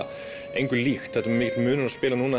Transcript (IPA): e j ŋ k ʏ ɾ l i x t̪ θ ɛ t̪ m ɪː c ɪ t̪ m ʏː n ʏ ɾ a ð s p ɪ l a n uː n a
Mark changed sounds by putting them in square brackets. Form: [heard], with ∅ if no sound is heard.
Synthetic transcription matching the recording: e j ŋ k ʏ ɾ l i x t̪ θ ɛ t̪ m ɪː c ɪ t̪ m ʏː n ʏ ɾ a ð s p [ɪː] l a n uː n a